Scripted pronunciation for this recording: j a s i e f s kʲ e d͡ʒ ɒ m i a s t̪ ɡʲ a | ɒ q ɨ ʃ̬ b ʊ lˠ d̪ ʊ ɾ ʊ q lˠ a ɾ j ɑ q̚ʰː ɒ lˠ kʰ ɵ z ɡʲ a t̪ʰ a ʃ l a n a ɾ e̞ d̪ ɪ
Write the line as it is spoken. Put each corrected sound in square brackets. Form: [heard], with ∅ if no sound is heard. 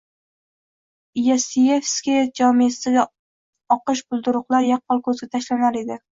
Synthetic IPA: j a s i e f s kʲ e d͡ʒ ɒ m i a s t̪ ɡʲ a | ɒ q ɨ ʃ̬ b ʊ lˠ d̪ ʊ ɾ ʊ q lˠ a ɾ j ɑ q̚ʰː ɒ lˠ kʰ ɵ z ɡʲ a t̪ʰ a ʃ l a n a ɾ e̞ d̪ ɪ